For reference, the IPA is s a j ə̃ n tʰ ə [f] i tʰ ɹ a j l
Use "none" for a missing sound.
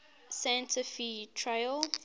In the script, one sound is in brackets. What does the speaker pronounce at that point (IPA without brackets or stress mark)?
f